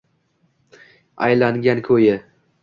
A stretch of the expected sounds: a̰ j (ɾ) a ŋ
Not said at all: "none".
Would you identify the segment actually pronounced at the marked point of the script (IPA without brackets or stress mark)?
l